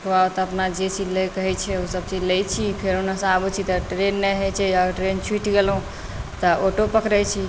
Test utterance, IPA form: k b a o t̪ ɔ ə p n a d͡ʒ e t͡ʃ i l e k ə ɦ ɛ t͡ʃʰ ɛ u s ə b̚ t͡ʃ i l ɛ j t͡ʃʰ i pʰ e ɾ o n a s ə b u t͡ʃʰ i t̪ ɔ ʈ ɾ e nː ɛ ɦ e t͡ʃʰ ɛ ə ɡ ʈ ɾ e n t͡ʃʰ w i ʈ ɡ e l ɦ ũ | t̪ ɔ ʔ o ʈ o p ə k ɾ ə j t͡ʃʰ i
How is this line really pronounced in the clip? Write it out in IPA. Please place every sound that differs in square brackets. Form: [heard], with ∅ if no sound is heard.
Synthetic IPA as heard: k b a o t̪ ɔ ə p n a d͡ʒ e t͡ʃ i l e k ə ɦ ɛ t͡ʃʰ ɛ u s ə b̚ t͡ʃ i l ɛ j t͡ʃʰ i pʰ e ɾ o n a s [a] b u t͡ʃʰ i t̪ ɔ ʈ ɾ e nː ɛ ɦ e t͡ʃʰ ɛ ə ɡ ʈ ɾ e n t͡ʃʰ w i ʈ ɡ e l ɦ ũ | t̪ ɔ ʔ o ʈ o p ə k ɾ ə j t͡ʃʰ i